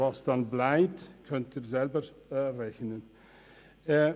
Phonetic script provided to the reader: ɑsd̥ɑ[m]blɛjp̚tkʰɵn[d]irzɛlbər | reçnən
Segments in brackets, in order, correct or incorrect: incorrect, incorrect

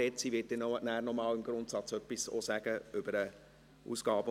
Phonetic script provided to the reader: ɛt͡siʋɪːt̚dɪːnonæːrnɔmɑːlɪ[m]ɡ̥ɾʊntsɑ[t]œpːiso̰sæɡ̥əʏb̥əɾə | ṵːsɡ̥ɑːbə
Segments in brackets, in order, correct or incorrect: correct, incorrect

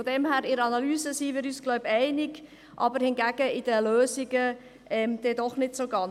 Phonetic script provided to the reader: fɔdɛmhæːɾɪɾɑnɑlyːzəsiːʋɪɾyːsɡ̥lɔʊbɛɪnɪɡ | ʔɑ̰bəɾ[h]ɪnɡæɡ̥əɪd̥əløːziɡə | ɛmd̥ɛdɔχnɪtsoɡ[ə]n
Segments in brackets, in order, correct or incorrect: correct, incorrect

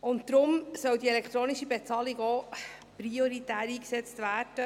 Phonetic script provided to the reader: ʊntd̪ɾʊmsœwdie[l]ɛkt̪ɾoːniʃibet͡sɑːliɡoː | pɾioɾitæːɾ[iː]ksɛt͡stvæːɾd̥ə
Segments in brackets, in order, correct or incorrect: correct, correct

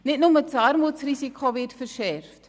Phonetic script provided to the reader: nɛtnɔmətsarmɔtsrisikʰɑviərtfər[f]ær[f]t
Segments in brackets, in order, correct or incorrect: incorrect, correct

